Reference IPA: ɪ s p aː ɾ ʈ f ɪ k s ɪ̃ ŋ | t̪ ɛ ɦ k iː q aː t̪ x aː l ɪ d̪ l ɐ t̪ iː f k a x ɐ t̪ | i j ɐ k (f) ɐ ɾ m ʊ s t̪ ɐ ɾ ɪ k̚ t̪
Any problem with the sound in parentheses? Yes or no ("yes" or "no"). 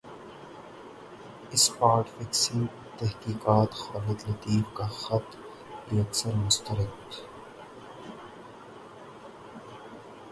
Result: yes